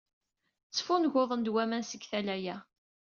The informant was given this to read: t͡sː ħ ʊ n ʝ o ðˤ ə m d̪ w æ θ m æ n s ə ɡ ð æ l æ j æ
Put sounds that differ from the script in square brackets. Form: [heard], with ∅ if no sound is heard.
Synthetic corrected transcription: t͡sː [f] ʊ n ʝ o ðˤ ə [n] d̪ w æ [∅] m æ n s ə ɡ [θ] æ l æ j æ